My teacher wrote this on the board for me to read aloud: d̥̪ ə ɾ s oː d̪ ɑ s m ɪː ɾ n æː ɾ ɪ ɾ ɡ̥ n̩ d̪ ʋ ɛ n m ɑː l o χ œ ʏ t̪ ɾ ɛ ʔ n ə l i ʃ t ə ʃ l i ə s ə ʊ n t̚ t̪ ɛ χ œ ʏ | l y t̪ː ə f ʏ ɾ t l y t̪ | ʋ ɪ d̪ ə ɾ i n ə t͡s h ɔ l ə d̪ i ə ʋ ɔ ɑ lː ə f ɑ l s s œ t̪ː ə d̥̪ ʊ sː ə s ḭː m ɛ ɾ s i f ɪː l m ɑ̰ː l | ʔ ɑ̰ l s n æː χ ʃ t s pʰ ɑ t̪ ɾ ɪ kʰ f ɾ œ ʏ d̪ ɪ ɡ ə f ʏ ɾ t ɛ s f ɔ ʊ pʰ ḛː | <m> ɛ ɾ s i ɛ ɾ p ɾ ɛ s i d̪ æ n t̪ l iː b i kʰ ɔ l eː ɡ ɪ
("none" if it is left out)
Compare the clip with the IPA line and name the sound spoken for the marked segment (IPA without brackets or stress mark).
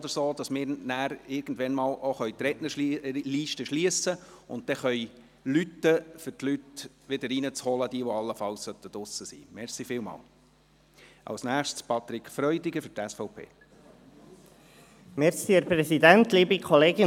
m